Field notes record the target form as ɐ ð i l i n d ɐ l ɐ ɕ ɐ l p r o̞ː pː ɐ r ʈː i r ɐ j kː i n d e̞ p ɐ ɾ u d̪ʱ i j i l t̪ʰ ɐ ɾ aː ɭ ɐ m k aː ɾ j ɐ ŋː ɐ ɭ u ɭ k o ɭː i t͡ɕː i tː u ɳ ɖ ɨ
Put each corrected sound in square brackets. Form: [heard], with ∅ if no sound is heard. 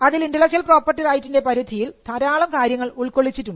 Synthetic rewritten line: ɐ ð i l i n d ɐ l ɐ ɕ ɐ l p r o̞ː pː ɐ r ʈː i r ɐ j [tː] i n d e̞ p ɐ ɾ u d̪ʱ i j i l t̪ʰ ɐ ɾ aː ɭ ɐ m k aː ɾ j ɐ ŋː ɐ ɭ u ɭ k o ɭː i t͡ɕː i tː u ɳ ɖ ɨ